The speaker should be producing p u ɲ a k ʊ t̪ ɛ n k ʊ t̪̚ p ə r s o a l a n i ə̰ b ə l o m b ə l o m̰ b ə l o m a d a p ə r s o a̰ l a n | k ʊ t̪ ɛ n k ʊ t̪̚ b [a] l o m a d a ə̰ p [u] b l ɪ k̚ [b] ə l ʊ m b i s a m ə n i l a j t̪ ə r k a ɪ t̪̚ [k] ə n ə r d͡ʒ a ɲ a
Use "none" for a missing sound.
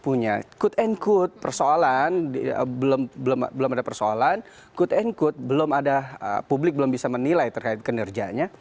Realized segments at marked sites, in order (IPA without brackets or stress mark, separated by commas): ə, u, b, k